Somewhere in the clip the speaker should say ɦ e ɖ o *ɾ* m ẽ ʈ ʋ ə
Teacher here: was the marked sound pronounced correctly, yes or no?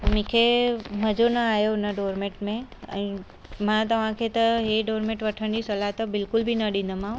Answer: yes